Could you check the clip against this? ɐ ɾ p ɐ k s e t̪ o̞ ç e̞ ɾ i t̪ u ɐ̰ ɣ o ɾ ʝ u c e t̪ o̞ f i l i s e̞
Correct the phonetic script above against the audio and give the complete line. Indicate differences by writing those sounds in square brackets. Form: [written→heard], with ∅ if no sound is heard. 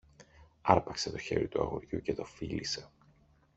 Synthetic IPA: ɐ ɾ p ɐ k s e t̪ o̞ ç e̞ ɾ i t̪ u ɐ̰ ɣ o ɾ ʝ u c e t̪ o̞ f i l i s e̞